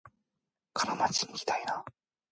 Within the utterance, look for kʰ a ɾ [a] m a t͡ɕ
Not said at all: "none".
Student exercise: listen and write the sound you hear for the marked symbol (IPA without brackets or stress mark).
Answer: a